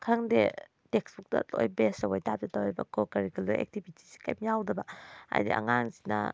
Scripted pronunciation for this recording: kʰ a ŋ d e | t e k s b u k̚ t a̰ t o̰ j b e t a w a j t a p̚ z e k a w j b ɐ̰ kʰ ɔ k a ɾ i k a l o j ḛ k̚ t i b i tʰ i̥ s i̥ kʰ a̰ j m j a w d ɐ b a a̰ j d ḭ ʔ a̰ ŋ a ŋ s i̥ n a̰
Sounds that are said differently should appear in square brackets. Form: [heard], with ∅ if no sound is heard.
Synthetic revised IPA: kʰ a ŋ d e | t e k s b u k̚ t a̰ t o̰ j b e [s] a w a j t a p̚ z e [t] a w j b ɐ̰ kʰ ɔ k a ɾ i k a l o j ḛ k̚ t i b i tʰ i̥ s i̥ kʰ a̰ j m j a w d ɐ b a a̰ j d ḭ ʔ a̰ ŋ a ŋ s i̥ n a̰